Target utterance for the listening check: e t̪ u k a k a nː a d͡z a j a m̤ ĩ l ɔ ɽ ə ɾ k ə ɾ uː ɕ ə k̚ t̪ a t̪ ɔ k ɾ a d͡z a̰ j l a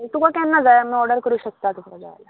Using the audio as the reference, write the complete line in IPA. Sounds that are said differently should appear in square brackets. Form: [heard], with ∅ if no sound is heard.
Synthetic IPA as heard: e t̪ u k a k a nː a d͡z a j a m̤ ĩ [∅] ɔ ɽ ə ɾ k ə ɾ uː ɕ ə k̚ t̪ a t̪ [u] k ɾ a d͡z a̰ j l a

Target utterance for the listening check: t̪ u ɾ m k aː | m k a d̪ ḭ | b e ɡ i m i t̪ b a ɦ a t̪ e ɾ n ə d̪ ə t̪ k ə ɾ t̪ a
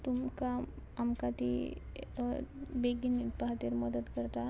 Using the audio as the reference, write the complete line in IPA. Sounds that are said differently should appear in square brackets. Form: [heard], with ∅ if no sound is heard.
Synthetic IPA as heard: t̪ u [∅] m k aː | m k a [t̪] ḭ | b e ɡ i [n] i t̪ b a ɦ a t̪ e ɾ [m] ə d̪ ə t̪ k ə ɾ t̪ a

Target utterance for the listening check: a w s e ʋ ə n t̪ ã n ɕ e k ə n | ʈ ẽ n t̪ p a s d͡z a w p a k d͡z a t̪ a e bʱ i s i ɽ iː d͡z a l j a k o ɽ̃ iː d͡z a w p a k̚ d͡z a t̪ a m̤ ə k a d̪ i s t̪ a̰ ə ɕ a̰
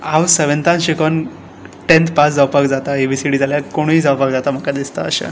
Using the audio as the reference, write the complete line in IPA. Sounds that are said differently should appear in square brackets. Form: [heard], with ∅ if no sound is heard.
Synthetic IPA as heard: a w s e ʋ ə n t̪ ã n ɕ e k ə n | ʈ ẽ n t̪ p a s d͡z a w p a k d͡z a t̪ a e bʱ i s i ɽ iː d͡z a l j a k o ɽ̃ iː d͡z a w p a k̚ d͡z a t̪ a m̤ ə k a d̪ i s t̪ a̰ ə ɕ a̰

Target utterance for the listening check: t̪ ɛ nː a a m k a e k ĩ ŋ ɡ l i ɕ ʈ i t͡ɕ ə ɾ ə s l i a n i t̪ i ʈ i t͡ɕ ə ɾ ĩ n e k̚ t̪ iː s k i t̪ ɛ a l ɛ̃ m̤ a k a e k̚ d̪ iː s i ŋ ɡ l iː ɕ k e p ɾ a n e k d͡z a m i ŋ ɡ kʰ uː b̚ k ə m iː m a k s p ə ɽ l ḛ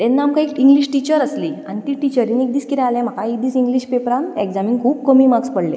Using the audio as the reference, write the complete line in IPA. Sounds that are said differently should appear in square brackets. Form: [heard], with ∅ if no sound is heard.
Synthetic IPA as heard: t̪ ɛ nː a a m k a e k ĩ ŋ ɡ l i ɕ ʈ i t͡ɕ ə ɾ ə s l i a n i t̪ i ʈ i t͡ɕ ə ɾ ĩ n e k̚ [d̪] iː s k i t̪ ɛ a l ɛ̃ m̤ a k a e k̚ d̪ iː s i ŋ ɡ l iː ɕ [p] e p ɾ a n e k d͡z a m i ŋ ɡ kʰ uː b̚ k ə m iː m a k s p ə ɽ l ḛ

